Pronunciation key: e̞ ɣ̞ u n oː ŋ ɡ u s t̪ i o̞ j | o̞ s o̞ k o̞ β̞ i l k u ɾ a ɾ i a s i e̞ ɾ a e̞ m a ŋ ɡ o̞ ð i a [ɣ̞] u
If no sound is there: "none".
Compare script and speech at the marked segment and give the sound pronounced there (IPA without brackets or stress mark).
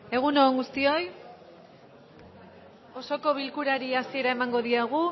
ɣ̞